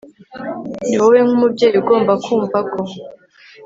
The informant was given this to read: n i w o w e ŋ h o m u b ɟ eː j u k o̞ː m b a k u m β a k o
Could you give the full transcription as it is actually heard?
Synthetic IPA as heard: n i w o w e ŋ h u m u b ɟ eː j u ɡ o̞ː m b a k uː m v a k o